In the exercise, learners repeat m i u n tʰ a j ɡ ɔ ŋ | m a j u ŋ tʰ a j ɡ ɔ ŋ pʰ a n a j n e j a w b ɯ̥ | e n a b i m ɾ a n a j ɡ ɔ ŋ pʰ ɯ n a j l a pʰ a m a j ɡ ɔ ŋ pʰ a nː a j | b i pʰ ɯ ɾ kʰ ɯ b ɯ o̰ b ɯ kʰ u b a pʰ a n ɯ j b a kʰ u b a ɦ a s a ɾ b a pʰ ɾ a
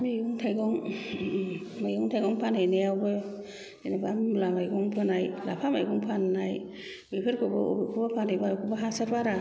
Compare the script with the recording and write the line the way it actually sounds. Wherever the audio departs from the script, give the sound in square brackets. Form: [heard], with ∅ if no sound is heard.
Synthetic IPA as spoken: m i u [ŋ] tʰ a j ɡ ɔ ŋ | m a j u ŋ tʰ a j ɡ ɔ ŋ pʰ a n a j n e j a w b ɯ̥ | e n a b [a] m [l] a [m] a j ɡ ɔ ŋ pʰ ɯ n a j l a pʰ a m a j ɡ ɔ ŋ pʰ a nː a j | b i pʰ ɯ ɾ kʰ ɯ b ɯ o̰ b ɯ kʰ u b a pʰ a n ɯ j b a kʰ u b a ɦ a s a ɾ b a [∅] ɾ a